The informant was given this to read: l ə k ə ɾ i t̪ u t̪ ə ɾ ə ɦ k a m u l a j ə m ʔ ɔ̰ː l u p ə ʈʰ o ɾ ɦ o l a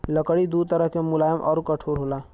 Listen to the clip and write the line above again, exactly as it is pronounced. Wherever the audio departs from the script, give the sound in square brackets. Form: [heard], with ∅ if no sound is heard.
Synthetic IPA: l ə k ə [ɽ] i [d̪] u t̪ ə ɾ ə ɦ k [e] m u l a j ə m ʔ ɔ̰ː [ɾ] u [k] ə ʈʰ o ɾ ɦ o l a